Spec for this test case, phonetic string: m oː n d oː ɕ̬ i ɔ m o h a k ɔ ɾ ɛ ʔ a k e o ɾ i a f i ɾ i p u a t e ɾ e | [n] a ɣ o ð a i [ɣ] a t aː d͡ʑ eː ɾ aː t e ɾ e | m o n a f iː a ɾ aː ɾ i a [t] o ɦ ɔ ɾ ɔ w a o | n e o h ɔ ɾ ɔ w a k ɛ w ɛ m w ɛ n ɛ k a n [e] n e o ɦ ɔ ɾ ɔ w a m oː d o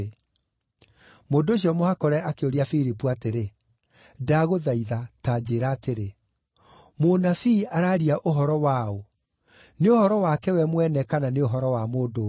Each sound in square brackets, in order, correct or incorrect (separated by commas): incorrect, incorrect, incorrect, incorrect